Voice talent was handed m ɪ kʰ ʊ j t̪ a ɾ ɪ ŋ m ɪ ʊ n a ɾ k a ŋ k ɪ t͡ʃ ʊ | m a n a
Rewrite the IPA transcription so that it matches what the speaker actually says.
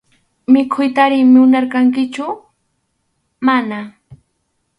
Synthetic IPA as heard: m ɪ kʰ ʊ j t̪ a ɾ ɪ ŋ m ɪ ʊ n a ɾ k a ŋ k ɪ t͡ʃ ʊ | m a n a